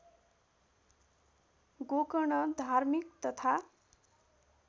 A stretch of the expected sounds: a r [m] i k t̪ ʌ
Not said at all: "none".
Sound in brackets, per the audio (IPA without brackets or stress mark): m